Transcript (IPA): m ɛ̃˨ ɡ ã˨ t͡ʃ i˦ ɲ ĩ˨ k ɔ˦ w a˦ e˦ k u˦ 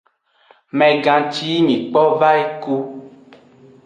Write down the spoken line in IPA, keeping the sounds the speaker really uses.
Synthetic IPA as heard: m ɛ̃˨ ɡ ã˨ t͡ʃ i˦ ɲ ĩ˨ k͡p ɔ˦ v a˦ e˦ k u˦